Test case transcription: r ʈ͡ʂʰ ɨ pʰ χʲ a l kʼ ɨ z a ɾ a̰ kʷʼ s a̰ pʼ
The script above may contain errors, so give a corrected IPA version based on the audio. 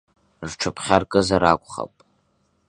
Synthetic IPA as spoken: r ʈ͡ʂʰ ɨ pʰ χʲ a r kʼ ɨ z a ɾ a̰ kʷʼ χ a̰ pʼ

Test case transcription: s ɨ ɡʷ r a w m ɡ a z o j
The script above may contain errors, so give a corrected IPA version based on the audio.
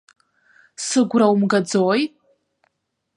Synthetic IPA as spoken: s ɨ ɡʷ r a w m ɡ a d͡z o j

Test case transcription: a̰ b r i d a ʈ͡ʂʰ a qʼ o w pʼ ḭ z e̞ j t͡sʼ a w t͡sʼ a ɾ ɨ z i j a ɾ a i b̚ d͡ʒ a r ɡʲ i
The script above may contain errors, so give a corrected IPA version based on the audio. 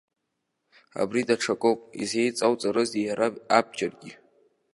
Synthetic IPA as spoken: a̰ b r i d a ʈ͡ʂʰ a kʼ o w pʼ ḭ z e̞ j t͡sʼ a w t͡sʼ a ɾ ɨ z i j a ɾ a a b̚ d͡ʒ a r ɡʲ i

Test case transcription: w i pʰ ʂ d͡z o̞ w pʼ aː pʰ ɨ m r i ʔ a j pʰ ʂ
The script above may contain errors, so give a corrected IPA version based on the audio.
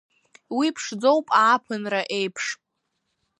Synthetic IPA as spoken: w i pʰ ʂ d͡z o̞ w pʼ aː pʰ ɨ n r a ʔ e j pʰ ʂ

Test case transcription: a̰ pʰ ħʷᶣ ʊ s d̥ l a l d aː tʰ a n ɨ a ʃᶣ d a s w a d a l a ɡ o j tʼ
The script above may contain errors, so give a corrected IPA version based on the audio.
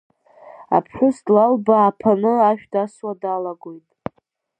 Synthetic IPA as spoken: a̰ pʰ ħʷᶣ ʊ s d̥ l a l b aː pʰ a n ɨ a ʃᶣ d a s w a d a l a ɡ o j tʼ

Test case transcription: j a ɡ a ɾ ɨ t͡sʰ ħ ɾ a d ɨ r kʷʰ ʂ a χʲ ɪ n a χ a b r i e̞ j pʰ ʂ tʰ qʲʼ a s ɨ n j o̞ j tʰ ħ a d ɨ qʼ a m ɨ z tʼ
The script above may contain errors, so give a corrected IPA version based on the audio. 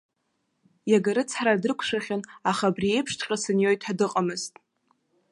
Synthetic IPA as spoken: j a ɡ a ɾ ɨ t͡sʰ ħ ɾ a d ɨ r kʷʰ ʂ a χʲ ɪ n a χ a b r i e̞ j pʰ ʂ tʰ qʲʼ a s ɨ n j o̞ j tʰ ħ a d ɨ qʼ a m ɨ z tʼ

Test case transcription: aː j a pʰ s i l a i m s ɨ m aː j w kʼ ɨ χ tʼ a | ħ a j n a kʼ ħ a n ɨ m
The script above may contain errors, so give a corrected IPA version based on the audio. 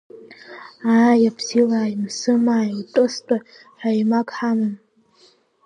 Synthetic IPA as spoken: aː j a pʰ s i l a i m s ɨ m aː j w tʼ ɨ s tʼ a | ħ a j m a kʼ ħ a m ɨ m

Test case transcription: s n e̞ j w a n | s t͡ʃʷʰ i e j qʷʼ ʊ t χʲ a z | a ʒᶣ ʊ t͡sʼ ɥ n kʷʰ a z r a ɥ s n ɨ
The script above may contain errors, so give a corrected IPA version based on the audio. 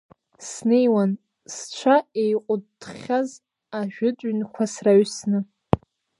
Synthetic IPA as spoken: s n e̞ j w a n | s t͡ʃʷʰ a e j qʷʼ ʊ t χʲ a z | a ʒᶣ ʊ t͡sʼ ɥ n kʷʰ a s r a ɥ s n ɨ

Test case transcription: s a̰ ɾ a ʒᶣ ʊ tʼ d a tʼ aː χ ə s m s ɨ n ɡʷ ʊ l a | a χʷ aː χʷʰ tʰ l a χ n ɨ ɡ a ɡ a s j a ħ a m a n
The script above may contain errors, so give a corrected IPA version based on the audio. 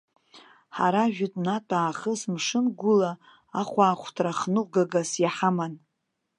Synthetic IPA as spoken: ħ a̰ ɾ a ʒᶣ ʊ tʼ n a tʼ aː χ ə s m ʂ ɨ n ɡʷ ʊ l a | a χʷ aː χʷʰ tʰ r a χ n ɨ ɡ a ɡ a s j a ħ a m a n

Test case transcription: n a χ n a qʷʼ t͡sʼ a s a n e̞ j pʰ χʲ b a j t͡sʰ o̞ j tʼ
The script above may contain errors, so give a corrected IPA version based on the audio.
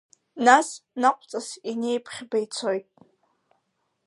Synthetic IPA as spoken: n a s n a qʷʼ t͡sʼ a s i n e̞ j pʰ χʲ b a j t͡sʰ o̞ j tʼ

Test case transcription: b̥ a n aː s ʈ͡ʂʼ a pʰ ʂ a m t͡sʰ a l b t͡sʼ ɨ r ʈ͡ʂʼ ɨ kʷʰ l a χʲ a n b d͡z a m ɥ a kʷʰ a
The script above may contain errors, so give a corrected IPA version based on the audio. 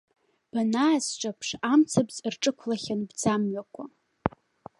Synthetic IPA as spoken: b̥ a n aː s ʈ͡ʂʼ a pʰ ʂ a m t͡sʰ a b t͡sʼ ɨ r ʈ͡ʂʼ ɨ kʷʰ l a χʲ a n b d͡z a m ɥ a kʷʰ a

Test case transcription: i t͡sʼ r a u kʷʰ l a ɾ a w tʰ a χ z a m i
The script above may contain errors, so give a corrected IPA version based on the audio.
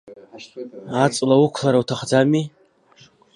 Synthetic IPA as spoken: a t͡sʼ l a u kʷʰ l a ɾ a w tʰ a χ d͡z a m i

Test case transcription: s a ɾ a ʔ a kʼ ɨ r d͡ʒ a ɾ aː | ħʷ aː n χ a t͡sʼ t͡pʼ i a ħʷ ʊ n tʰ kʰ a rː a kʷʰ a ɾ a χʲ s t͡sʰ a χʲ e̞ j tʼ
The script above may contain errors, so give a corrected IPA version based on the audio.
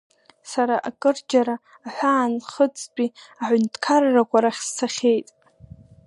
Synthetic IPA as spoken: s a ɾ a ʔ a kʼ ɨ r d͡ʒ a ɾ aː | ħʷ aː n χ ə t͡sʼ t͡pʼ i a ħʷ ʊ n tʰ kʰ a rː a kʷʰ a ɾ a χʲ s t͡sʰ a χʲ e̞ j tʼ

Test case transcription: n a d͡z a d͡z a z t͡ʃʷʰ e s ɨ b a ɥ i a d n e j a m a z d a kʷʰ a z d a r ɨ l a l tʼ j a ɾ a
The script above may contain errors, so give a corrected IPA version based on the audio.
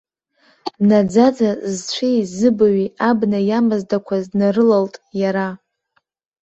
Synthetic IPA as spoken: n a d͡z a d͡z a z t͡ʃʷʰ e z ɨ b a ɥ i a b n a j a m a z d a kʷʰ a z n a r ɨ l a l tʼ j a ɾ a

